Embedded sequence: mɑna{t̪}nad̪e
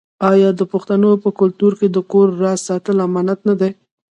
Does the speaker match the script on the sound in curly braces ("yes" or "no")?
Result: yes